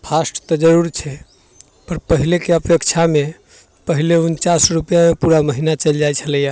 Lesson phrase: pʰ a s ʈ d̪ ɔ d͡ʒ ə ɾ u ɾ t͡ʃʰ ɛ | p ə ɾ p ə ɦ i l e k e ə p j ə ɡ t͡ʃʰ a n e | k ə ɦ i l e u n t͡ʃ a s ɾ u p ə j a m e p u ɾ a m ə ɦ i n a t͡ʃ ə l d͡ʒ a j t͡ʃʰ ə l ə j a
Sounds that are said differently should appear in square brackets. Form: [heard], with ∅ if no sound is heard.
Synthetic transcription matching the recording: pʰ a s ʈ [t̪] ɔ d͡ʒ ə ɾ u ɾ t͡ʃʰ ɛ | p ə ɾ p ə ɦ i l e k e ə p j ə [k] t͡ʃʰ a [m] e | [p] ə ɦ i l e u n t͡ʃ a s ɾ u p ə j a m e p u ɾ a m ə ɦ i n a t͡ʃ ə l d͡ʒ a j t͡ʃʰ ə l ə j a

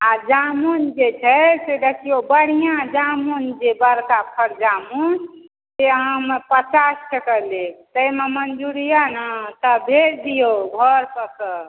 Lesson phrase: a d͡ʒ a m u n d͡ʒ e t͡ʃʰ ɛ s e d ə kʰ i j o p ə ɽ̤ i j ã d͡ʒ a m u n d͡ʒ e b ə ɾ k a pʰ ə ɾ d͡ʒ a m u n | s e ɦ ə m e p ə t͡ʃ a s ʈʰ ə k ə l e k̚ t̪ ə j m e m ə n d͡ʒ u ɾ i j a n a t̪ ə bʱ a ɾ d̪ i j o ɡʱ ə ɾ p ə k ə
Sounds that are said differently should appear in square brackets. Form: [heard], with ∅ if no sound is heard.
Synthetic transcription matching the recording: a d͡ʒ a m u n d͡ʒ e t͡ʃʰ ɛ s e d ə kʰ i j o [b] ə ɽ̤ i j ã d͡ʒ a m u n d͡ʒ e b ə ɾ k a pʰ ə ɾ d͡ʒ a m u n | s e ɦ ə m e p ə t͡ʃ a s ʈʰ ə k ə l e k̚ t̪ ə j m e m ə n d͡ʒ u ɾ i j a n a t̪ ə bʱ [e] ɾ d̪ i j o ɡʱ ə ɾ p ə k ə

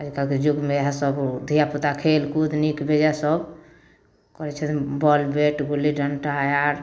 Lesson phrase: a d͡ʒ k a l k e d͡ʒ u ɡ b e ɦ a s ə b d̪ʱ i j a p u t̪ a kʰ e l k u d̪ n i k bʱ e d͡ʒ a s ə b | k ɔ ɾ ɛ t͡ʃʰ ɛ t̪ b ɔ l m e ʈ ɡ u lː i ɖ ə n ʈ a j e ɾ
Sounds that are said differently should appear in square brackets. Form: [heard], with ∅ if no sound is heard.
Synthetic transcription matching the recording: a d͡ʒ k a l k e d͡ʒ u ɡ [m] e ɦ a s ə b d̪ʱ i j a p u t̪ a kʰ e l k u d̪ n i k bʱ e d͡ʒ a s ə b | k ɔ ɾ ɛ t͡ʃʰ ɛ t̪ b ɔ l [b] e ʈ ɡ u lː i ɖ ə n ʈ a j [a] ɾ

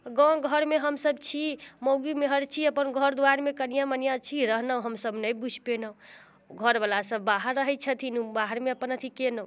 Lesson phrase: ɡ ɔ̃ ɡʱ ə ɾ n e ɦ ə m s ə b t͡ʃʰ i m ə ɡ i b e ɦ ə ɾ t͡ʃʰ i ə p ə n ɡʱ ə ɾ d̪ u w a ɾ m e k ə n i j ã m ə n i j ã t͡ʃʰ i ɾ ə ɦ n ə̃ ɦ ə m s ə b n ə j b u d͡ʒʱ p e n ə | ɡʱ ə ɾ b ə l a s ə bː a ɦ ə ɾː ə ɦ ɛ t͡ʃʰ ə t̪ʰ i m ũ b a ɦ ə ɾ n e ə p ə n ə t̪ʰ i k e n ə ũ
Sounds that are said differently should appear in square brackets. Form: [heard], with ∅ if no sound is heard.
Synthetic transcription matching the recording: ɡ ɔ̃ ɡʱ ə ɾ [m] e ɦ ə m s ə b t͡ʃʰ i m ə ɡ i [m] e ɦ ə ɾ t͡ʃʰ i ə p ə n ɡʱ ə ɾ d̪ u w a ɾ m e k ə n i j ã m ə n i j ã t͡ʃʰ i ɾ ə ɦ n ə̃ ɦ ə m s ə b n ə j b u d͡ʒʱ p e n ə | ɡʱ ə ɾ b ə l a s ə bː a ɦ ə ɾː ə ɦ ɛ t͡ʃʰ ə t̪ʰ i [n] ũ b a ɦ ə ɾ [m] e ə p ə n ə t̪ʰ i k e n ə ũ

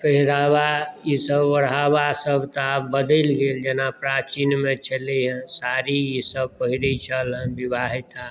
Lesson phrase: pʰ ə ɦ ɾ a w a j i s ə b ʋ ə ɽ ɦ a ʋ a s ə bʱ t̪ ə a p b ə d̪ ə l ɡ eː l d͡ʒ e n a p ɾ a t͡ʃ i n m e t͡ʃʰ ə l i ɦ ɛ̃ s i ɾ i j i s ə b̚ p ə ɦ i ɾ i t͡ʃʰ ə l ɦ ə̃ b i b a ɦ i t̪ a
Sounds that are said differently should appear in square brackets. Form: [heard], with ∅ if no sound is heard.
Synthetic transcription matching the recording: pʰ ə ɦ ɾ a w a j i s ə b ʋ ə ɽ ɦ a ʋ a s ə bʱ t̪ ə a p b ə d̪ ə l ɡ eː l d͡ʒ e n a p ɾ a t͡ʃ i n m e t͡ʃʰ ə l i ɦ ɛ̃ s [a] ɾ i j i s ə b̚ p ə ɦ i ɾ i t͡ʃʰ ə l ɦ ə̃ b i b a ɦ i t̪ a

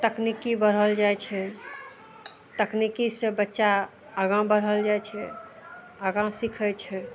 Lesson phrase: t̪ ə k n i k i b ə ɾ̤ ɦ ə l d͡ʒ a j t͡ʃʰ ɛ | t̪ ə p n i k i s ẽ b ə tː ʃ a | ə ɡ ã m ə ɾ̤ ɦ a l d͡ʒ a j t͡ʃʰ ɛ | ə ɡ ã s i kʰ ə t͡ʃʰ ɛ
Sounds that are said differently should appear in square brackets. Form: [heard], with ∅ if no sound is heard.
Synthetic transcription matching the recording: t̪ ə k n i k i b ə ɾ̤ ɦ ə l d͡ʒ a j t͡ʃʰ ɛ | t̪ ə [k] n i k i s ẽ b ə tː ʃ a | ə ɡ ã [b] ə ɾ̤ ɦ [ə] l d͡ʒ a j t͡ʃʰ ɛ | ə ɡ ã s i kʰ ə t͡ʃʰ ɛ

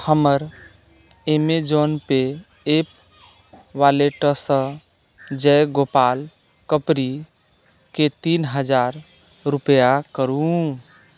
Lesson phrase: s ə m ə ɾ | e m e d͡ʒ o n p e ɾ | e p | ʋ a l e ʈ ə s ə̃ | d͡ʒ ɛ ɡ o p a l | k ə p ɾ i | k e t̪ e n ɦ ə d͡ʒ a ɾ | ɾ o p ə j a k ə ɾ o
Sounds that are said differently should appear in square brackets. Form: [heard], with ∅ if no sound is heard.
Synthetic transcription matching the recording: [h] ə m ə ɾ | e m e d͡ʒ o n p e [∅] | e p | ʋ a l e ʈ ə s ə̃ | d͡ʒ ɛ ɡ o p a l | k ə p ɾ i | k e t̪ [i] n ɦ ə d͡ʒ a ɾ | ɾ [u] p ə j a k ə ɾ [u]

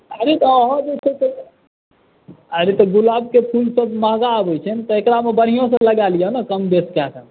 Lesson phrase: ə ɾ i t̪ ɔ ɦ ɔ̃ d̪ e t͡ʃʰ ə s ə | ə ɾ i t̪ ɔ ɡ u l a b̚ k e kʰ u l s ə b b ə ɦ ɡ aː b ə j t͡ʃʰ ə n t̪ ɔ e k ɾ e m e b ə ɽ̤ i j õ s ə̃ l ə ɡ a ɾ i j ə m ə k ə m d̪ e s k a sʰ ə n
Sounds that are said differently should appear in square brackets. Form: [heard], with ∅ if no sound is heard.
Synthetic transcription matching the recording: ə ɾ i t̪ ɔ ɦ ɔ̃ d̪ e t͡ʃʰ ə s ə | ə ɾ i t̪ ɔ ɡ u l a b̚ k e [pʰ] u l s ə b [m] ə ɦ ɡ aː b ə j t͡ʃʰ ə n t̪ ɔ e k ɾ [a] m e b ə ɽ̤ i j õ s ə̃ l ə ɡ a [l] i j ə [n] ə k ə m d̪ e s k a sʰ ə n

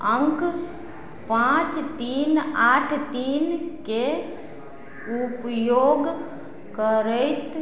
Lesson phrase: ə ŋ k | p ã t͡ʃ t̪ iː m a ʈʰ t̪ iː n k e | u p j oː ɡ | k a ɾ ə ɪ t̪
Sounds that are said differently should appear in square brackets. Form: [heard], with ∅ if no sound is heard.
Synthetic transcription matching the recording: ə ŋ k | p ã t͡ʃ t̪ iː [n] a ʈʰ t̪ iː n k e | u p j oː ɡ | k [ə] ɾ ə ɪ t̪

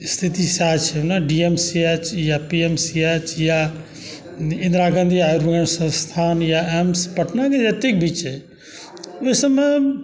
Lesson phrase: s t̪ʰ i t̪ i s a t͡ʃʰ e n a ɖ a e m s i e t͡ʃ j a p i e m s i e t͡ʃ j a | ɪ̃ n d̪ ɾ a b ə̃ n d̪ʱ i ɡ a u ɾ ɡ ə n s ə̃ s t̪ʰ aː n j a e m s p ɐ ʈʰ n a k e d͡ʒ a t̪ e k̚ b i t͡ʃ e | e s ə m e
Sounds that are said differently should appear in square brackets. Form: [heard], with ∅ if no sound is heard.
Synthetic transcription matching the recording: s t̪ʰ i t̪ i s a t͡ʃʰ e n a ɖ [i] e m s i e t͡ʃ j a p i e m s i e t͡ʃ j a | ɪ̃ n d̪ ɾ a [ɡ] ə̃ n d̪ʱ i [∅] a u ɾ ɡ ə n s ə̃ s t̪ʰ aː n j a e m s p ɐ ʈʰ n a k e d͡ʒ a t̪ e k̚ b i t͡ʃ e | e s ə m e

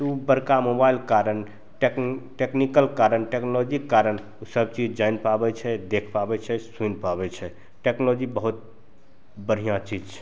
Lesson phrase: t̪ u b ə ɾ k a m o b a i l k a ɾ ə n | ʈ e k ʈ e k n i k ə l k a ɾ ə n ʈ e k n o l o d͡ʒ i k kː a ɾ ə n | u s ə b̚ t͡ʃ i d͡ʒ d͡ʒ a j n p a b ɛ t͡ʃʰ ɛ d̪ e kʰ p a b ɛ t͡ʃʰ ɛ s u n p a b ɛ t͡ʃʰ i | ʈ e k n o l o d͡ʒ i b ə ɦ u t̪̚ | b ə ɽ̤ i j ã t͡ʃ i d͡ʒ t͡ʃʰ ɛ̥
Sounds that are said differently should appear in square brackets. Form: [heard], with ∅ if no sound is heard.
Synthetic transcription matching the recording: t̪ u b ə ɾ k a m o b a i l k a ɾ ə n | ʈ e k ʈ e k n i k ə l k a ɾ ə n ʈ e k n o l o d͡ʒ i k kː a ɾ ə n | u s ə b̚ t͡ʃ i d͡ʒ d͡ʒ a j n p a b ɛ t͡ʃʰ ɛ d̪ e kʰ p a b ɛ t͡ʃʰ ɛ s u n p a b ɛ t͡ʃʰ [ɛ] | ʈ e k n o l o d͡ʒ i b ə ɦ u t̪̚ | b ə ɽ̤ i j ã t͡ʃ i d͡ʒ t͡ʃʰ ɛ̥

